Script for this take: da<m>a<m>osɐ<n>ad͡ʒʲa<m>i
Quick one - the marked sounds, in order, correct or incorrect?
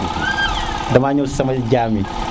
correct, incorrect: ɲ, incorrect: m, correct

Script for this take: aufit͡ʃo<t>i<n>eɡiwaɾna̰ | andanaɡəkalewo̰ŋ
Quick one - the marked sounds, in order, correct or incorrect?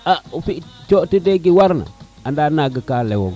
correct, incorrect: d

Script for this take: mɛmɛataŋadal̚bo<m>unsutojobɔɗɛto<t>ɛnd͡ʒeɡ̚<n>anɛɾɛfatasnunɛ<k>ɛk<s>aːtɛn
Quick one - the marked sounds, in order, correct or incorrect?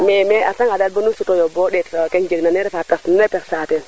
incorrect: n, incorrect: k, correct, incorrect: p, correct

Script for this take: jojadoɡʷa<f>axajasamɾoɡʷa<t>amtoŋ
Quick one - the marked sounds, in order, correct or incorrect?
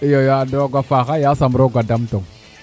correct, incorrect: d

